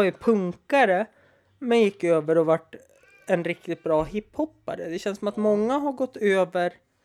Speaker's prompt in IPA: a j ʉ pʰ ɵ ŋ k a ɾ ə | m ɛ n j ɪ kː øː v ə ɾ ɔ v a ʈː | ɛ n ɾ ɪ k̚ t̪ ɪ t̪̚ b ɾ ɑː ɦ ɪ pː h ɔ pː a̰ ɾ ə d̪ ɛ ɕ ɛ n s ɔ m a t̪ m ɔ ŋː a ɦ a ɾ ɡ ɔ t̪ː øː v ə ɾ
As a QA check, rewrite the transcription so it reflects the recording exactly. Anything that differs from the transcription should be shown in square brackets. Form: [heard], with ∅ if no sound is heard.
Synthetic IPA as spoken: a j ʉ pʰ ɵ ŋ k a ɾ ə | m ɛ n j ɪ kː øː v ə ɾ ɔ v a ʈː | ɛ n ɾ ɪ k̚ t̪ ɪ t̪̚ b ɾ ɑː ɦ ɪ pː h ɔ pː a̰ ɾ ə d̪ ɛ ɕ ɛ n s ɔ m a t̪ m ɔ ŋː a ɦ a ɾ ɡ ɔ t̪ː øː v ə ɾ